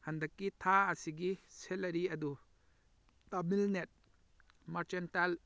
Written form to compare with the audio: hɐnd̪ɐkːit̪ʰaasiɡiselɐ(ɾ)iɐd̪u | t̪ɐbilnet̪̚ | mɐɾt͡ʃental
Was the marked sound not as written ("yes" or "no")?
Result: no